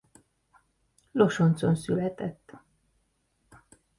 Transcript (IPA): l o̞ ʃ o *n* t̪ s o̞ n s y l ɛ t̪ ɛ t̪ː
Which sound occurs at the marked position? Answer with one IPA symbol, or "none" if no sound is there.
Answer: n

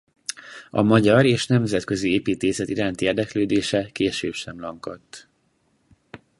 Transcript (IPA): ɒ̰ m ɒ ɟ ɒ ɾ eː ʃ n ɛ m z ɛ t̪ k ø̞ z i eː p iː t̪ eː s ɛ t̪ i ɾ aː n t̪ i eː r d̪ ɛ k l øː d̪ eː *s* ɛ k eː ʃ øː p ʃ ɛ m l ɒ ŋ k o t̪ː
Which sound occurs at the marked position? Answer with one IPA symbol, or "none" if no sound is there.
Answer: ʃ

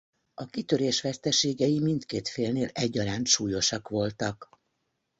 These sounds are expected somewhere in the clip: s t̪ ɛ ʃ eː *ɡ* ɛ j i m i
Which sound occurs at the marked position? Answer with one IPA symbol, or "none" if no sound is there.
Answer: ɡ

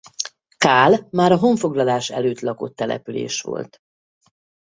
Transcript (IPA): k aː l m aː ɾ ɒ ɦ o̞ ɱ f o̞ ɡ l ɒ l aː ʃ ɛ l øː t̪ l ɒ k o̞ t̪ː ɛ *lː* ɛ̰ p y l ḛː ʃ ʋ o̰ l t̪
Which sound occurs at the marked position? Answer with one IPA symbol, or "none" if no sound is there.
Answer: l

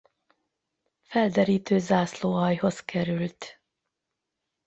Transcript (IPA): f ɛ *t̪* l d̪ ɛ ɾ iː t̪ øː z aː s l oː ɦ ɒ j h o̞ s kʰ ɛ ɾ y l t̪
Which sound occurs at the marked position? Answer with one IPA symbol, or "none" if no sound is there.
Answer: none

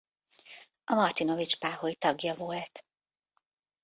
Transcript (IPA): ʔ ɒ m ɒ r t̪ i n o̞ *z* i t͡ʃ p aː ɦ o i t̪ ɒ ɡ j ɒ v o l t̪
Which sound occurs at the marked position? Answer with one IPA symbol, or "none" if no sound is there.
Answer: v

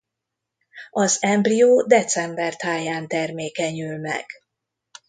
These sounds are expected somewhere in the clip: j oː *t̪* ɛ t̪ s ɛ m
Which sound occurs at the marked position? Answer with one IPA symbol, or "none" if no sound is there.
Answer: d̪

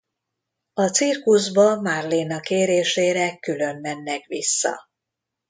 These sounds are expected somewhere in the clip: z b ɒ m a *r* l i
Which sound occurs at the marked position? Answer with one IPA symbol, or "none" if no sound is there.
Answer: r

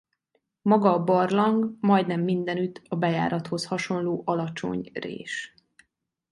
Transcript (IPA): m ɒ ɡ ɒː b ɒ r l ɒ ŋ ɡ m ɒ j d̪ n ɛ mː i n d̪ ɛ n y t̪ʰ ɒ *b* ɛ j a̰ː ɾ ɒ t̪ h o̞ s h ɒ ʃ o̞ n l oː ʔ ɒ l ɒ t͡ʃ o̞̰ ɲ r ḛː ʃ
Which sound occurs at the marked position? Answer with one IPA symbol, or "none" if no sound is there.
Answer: b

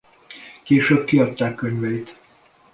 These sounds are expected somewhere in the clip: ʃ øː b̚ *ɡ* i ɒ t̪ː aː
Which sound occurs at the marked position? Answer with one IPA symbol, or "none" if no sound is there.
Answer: k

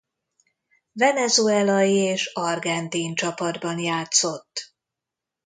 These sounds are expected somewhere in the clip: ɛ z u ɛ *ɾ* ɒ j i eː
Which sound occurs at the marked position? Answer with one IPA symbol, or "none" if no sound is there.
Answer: l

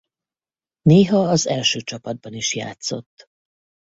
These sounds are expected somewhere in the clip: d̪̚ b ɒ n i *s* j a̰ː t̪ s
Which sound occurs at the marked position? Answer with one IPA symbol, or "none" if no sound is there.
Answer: ʃ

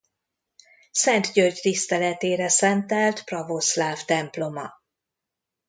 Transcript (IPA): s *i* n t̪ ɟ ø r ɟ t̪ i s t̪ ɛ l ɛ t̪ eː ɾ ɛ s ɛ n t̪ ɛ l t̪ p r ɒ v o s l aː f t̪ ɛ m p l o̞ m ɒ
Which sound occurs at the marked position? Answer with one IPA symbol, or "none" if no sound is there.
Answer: ɛ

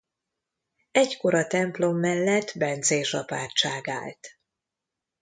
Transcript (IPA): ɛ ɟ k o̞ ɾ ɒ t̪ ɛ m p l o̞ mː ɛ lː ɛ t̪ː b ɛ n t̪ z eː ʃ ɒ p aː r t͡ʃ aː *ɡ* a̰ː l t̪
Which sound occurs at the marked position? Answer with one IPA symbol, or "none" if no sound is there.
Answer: ɡ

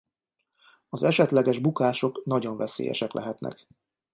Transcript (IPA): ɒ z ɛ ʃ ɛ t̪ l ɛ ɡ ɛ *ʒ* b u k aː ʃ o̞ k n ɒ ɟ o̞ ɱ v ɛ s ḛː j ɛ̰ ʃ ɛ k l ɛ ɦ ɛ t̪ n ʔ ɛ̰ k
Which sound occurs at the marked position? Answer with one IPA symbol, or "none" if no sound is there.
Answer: ʒ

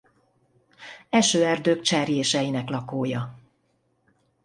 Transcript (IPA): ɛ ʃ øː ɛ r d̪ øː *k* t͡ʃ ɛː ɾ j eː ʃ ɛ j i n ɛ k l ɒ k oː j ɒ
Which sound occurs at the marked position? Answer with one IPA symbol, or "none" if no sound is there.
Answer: k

